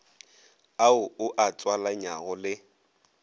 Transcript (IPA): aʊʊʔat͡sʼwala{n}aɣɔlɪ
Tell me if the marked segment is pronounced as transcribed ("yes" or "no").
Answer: no